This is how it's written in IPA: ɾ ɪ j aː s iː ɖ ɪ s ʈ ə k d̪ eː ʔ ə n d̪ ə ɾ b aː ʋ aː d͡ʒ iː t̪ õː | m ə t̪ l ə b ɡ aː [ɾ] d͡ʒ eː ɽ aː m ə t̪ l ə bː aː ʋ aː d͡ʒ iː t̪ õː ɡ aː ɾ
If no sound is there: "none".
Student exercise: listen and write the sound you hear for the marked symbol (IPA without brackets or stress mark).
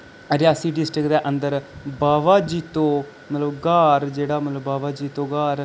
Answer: ɾ